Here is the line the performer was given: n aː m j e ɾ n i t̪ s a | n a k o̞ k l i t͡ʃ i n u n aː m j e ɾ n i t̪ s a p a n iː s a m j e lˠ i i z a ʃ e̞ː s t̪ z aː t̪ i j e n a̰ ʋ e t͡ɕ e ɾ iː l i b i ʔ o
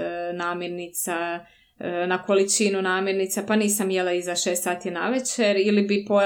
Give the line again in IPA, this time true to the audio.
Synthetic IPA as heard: n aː m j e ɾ n i t̪ s a | n a k o̞ l i t͡ʃ i n u n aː m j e ɾ n i t̪ s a p a n iː s a m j e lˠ a i z a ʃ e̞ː s t̪ s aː t̪ i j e n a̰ ʋ e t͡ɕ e ɾ i l i b i p o